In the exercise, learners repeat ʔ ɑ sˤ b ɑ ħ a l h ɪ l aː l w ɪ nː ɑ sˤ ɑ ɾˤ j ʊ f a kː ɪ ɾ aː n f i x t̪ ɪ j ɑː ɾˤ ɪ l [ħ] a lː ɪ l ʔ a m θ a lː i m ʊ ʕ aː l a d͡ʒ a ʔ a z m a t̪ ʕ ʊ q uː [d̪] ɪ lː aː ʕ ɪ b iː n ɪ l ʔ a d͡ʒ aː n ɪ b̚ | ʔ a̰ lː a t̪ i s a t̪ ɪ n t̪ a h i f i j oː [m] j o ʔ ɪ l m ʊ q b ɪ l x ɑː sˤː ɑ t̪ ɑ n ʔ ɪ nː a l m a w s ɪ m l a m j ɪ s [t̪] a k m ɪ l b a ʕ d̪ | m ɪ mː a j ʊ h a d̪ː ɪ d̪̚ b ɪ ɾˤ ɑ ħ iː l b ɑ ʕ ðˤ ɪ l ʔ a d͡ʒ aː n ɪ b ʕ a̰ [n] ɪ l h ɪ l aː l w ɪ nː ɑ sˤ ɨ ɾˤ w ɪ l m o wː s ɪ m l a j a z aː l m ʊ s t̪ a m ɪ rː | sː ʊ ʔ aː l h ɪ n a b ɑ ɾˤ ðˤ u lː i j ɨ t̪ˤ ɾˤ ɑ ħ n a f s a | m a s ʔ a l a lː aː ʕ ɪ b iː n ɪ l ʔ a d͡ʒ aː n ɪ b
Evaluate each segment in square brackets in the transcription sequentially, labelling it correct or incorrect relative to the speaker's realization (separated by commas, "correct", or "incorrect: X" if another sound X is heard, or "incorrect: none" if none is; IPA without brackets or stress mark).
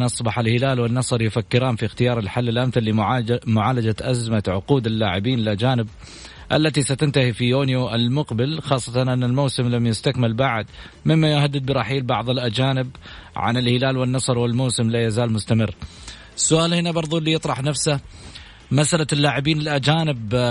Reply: correct, correct, incorrect: n, correct, correct